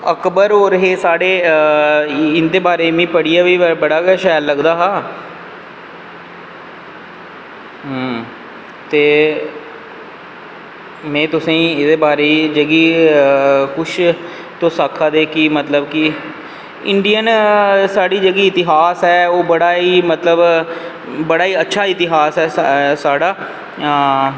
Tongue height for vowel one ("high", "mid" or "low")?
mid